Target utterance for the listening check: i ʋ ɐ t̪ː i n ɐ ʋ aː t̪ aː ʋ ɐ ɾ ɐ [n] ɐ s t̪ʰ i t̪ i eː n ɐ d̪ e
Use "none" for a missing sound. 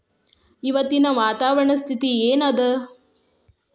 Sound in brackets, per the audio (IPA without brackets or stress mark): ɳ